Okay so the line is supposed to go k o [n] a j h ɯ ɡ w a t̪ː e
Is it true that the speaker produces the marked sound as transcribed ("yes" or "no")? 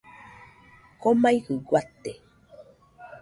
no